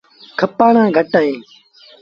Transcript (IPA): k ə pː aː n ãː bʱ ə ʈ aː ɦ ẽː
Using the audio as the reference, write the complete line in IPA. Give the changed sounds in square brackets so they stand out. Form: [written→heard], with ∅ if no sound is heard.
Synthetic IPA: [k→kʰ] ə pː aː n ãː [bʱ→ɡʱ] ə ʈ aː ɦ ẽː